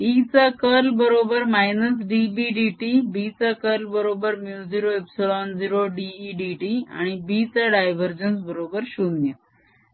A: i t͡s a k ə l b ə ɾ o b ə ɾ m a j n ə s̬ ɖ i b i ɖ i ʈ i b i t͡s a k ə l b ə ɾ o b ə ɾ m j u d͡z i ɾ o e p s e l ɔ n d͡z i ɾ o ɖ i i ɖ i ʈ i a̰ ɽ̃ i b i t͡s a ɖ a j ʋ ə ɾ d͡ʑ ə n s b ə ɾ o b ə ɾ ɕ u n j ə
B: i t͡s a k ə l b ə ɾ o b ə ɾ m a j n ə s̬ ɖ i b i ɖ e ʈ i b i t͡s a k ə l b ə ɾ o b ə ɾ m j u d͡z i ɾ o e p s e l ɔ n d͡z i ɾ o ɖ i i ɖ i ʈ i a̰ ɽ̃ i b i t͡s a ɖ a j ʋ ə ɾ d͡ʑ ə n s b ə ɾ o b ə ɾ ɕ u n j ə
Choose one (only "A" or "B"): A